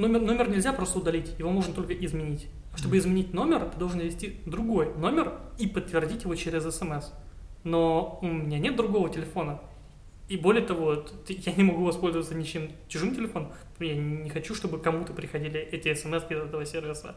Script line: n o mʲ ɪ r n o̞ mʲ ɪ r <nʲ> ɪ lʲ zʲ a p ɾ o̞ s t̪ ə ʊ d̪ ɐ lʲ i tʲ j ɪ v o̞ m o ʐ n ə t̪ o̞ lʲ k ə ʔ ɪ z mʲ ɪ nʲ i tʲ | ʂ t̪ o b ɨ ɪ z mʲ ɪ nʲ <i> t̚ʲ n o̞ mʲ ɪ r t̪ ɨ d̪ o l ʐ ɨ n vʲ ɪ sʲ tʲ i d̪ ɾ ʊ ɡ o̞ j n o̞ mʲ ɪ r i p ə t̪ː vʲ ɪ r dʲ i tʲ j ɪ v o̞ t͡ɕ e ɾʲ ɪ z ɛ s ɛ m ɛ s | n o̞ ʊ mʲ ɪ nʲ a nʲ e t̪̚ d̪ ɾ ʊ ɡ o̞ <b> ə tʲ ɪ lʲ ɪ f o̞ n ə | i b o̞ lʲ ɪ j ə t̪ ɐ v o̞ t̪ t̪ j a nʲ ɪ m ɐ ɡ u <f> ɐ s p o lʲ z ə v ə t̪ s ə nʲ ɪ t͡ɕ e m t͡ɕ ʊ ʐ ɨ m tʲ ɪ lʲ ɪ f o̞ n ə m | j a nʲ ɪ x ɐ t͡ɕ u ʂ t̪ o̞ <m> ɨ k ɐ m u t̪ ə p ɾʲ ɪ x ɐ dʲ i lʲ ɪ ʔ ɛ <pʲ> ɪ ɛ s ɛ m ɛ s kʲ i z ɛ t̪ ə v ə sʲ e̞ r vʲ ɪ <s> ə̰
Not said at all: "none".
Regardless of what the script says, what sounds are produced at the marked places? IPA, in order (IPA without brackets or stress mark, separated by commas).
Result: nʲ, i, v, v, b, tʲ, s